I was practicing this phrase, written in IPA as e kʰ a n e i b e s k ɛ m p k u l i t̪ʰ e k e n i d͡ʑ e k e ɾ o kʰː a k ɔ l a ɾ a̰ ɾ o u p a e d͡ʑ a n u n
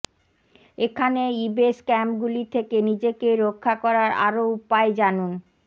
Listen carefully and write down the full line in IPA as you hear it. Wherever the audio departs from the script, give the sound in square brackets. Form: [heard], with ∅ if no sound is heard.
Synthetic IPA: e kʰ a n e i b e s k ɛ m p [ɡ] u l i t̪ʰ e k e n i d͡ʑ e k e ɾ o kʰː a k ɔ [ɾ] a ɾ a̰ ɾ o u p a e d͡ʑ a n u n